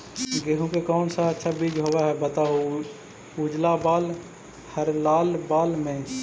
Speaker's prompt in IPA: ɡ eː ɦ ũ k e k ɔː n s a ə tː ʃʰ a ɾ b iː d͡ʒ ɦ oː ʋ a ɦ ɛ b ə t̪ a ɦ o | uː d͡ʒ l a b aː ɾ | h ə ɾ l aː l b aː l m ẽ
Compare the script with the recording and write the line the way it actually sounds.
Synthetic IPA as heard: ɡ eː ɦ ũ k e k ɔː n s a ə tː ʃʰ a b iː d͡ʒ ɦ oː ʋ a ɦ ɛ b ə t̪ a ɦ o | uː d͡ʒ l a b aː l | h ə ɾ l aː l b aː l m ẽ